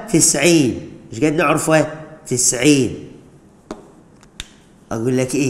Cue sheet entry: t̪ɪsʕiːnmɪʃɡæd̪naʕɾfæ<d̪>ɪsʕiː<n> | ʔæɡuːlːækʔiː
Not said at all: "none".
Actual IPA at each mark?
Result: t̪, n

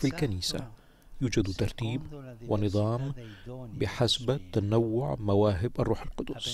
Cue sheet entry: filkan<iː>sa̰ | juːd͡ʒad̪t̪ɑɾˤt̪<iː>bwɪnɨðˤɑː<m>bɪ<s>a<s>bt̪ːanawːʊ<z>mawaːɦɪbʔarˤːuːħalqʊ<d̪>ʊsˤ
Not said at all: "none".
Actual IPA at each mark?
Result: iː, iː, m, ħ, s, ʕ, d̪

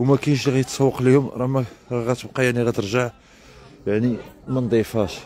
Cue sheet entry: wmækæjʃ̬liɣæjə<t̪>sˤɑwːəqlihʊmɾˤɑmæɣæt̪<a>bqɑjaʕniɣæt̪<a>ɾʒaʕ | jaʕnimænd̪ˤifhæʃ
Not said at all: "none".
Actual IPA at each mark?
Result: t̪, ə, ə

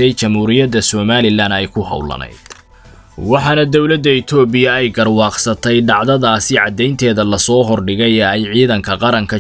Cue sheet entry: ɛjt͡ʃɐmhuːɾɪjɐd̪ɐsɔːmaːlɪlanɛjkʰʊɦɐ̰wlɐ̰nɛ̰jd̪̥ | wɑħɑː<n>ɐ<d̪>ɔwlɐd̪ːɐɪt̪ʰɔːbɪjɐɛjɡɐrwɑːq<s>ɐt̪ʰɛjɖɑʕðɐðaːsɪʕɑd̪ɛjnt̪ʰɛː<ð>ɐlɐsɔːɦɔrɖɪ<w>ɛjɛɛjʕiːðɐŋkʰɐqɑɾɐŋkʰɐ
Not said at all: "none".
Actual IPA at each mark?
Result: n, d̪, s, ð, ɣ

